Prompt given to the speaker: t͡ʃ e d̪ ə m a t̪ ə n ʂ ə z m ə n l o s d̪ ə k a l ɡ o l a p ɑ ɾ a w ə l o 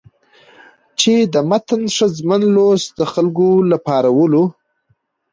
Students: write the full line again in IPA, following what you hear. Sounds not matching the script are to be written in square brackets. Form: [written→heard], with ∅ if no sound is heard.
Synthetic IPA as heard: t͡ʃ e d̪ ə m a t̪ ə n ʂ ə z m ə n l o s d̪ ə [k→x] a l ɡ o l a p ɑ ɾ a w ə l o